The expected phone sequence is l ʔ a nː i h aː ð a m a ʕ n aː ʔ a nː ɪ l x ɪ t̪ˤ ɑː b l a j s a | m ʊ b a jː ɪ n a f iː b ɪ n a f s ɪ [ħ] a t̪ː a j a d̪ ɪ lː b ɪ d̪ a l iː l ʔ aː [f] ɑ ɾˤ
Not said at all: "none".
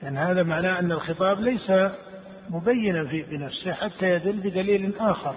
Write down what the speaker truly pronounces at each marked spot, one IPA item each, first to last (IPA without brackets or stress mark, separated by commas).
ħ, x